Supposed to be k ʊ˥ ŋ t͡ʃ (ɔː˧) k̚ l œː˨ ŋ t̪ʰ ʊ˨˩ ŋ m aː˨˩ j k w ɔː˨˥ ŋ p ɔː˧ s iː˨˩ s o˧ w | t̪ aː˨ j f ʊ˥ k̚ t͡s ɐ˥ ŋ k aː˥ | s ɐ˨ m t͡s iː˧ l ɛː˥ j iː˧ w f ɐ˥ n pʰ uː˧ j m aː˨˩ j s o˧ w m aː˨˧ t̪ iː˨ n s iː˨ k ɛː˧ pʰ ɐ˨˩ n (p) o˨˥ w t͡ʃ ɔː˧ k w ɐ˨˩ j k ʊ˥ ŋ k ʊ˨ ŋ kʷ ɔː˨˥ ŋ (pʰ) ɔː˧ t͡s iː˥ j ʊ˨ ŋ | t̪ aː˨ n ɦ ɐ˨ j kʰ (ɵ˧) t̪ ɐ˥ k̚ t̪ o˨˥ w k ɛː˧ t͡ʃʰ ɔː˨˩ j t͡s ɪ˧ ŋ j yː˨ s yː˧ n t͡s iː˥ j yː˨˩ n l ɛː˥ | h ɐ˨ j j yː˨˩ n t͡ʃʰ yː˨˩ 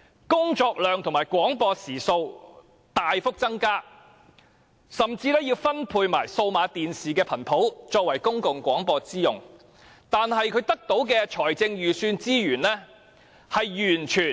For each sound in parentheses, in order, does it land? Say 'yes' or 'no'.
yes, no, no, no

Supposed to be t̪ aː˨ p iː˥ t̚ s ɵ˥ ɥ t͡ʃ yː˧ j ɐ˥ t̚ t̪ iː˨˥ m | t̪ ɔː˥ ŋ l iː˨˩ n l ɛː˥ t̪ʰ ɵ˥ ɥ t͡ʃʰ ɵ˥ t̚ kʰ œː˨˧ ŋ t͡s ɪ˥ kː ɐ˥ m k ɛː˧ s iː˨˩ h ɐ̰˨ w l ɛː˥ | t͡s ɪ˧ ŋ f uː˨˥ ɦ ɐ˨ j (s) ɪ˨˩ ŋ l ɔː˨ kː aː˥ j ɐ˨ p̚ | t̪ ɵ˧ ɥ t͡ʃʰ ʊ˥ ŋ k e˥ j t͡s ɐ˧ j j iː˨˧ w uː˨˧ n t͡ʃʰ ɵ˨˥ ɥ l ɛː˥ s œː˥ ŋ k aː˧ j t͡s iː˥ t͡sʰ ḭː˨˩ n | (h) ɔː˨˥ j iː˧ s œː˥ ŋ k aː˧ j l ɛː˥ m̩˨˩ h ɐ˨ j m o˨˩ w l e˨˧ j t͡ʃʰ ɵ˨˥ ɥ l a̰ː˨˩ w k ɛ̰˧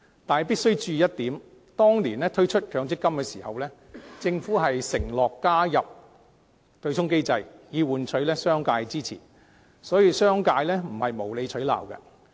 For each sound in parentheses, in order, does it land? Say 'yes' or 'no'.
yes, no

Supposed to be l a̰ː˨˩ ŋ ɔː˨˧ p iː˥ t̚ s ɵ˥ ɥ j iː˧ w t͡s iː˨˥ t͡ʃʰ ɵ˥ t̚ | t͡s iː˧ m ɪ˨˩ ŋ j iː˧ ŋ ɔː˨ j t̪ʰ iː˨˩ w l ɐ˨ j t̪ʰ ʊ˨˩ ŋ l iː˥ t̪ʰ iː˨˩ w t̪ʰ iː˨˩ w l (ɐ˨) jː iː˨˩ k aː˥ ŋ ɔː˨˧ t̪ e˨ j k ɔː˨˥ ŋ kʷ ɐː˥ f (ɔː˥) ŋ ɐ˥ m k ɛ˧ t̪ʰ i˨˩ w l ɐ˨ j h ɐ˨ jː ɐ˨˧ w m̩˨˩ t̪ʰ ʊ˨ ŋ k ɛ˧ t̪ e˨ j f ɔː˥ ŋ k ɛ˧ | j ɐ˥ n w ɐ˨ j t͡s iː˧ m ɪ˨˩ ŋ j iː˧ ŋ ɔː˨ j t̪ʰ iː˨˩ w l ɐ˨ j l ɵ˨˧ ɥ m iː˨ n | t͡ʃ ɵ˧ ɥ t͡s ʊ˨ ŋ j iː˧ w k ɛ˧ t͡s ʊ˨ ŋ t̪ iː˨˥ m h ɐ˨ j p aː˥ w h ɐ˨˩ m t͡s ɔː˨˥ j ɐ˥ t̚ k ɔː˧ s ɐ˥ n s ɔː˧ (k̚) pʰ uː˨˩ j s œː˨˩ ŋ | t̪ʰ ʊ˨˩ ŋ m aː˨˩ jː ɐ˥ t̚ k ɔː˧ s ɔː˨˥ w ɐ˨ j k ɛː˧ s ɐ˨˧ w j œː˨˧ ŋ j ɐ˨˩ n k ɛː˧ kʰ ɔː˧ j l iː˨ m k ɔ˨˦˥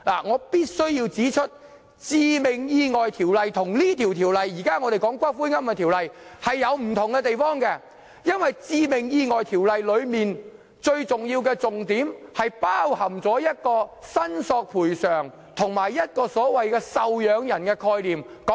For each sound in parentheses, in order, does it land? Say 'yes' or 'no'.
yes, no, yes

